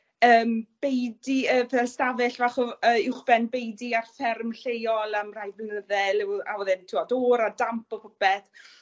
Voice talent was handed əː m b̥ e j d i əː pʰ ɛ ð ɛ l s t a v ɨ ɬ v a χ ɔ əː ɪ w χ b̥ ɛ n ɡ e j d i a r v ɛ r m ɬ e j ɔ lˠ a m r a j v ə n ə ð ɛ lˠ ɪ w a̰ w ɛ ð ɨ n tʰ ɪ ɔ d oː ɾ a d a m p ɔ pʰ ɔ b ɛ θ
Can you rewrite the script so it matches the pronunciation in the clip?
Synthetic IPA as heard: əː m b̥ e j d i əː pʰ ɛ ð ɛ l s t a v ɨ ɬ v a χ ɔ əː ɪ w χ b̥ ɛ n b e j d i a r f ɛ r m ɬ e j ɔ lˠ a m r a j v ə n ə ð ɛ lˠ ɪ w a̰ w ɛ ð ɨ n tʰ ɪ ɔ d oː ɾ a d a m p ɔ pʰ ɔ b ɛ θ